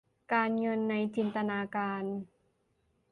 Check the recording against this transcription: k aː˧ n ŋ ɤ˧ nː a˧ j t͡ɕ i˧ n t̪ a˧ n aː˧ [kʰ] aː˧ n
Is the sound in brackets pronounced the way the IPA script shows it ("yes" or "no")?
no